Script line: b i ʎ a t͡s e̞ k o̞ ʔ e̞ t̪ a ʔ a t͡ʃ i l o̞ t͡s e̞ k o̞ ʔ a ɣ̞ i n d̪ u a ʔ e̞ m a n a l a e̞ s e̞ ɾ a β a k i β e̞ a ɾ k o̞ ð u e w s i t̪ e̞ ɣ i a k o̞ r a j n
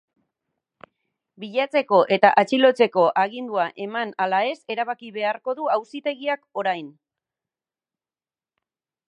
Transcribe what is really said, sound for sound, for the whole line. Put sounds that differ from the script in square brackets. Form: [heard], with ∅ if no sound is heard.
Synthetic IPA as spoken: b i ʎ a t͡s e̞ k o̞ ʔ e̞ t̪ a ʔ a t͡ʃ i l o̞ t͡s e̞ k o̞ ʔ a ɣ̞ i n d̪ u a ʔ e̞ m a n a l a e̞ s e̞ ɾ a β a k i β e̞ a ɾ k o̞ ð u [a] w s i t̪ e̞ ɣ i a k o̞ [ɾ] a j n